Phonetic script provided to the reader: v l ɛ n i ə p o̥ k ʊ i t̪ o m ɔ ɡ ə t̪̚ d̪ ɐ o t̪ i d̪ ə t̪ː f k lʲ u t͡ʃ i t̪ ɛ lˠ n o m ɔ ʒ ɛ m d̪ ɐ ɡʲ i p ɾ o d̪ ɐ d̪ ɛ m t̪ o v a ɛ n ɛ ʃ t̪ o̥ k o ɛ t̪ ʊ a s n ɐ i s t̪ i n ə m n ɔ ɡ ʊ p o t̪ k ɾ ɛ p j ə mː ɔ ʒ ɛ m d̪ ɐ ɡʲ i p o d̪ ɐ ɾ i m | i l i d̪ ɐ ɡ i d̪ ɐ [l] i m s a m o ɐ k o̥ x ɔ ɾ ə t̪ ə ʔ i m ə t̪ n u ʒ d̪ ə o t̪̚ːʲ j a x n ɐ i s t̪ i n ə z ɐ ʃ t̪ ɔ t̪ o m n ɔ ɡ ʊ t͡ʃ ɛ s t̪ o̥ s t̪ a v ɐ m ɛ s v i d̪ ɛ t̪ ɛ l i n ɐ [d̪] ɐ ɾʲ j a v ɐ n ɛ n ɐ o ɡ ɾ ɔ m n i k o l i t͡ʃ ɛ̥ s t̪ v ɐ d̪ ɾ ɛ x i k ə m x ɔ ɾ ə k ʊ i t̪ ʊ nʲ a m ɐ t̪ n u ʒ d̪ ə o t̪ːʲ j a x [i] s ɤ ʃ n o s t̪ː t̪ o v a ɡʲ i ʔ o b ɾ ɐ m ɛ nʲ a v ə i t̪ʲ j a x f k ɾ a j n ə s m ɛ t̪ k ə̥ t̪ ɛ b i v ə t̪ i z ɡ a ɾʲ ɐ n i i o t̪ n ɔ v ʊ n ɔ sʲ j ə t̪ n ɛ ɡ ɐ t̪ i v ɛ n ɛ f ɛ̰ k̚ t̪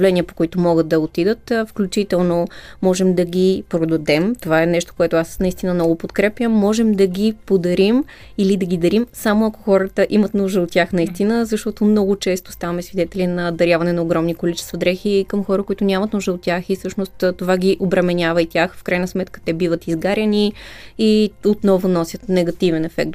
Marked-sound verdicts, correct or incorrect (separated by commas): incorrect, correct, correct